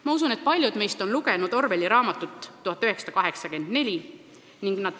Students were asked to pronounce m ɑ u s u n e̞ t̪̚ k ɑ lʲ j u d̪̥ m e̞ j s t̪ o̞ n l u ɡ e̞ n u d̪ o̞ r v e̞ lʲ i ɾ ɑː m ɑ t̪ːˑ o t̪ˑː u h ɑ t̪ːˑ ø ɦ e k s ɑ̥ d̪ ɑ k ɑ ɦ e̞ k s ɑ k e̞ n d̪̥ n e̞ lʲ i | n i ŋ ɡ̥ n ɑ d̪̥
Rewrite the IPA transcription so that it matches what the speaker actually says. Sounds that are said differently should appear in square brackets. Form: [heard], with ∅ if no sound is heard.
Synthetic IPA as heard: m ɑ u s u n e̞ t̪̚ [p] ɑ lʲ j u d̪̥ m e̞ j s t̪ o̞ n l u ɡ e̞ n u d̪ o̞ r v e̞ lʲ i ɾ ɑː m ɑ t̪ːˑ [u] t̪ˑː u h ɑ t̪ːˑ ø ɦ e k s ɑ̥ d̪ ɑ k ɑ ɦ e̞ k s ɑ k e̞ n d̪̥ n e̞ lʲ i | n i ŋ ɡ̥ n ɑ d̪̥